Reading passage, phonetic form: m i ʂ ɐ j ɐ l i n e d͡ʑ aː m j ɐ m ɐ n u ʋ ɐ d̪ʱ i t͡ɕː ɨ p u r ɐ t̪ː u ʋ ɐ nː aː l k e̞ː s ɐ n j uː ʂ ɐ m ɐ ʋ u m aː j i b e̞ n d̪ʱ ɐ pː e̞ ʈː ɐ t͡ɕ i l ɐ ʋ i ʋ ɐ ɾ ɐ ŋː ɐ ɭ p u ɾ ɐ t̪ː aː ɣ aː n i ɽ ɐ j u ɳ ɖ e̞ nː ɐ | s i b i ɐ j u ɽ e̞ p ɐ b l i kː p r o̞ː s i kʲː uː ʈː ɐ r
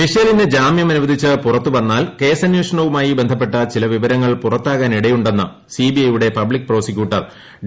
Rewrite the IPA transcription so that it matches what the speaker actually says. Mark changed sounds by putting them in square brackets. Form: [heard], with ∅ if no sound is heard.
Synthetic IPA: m i ʂ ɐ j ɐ l i n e d͡ʑ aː m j ɐ m ɐ n u ʋ ɐ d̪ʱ i t͡ɕː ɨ p u r ɐ t̪ː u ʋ ɐ nː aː l k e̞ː s ɐ n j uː ʂ ɐ [ɳ] ɐ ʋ u m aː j i b e̞ n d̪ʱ ɐ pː e̞ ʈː ɐ t͡ɕ i l ɐ ʋ i ʋ ɐ ɾ ɐ ŋː ɐ ɭ p u [r] ɐ t̪ː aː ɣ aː n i ɽ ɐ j u ɳ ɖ e̞ nː ɐ | s i b i ɐ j u ɽ e̞ p ɐ b l i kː p r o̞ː s i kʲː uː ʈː ɐ r